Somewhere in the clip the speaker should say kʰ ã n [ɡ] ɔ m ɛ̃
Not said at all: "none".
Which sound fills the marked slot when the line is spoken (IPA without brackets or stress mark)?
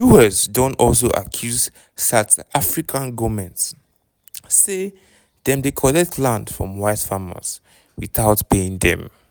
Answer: ɡ